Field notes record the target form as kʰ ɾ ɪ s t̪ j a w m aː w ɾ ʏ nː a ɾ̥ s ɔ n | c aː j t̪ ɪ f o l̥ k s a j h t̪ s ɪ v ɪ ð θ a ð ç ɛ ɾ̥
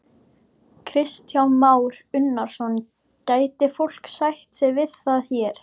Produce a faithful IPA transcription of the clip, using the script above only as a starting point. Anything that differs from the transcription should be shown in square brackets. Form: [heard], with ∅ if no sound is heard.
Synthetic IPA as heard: kʰ ɾ ɪ s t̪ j a w m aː w ɾ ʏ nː a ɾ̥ s ɔ n | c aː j t̪ ɪ f o l̥ k s a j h t̪ s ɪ v ɪ ð θ a ð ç ɛ ɾ̥